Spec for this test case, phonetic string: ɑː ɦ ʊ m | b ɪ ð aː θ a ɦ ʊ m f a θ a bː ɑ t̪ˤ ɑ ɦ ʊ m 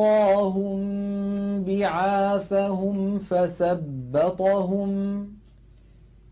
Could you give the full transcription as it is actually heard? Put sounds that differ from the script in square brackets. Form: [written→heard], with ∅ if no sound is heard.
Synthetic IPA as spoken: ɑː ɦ ʊ m | b ɪ [ð→ʕ] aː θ a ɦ ʊ m f a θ a bː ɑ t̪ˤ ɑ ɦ ʊ m